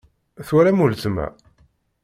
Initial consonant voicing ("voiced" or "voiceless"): voiceless